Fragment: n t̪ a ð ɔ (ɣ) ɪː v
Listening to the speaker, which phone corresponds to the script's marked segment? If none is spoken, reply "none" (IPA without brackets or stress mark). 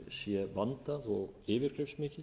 ɣ